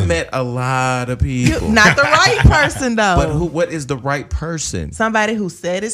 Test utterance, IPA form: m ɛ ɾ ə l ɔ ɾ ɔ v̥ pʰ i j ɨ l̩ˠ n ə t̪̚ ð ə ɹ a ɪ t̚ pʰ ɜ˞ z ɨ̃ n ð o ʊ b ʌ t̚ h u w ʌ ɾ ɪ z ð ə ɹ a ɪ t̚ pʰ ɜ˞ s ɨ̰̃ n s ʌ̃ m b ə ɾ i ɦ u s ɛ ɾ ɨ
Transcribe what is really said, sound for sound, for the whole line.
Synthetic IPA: m ɛ ɾ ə l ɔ ɾ ʌ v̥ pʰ i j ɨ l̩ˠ n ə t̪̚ ð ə ɹ a ɪ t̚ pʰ ɜ˞ s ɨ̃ n ð o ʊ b ʌ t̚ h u w ʌ ɾ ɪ z ð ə ɹ a ɪ t̚ pʰ ɜ˞ s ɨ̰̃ n s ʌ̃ m b ɑ ɾ i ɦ u s ɛ ɾ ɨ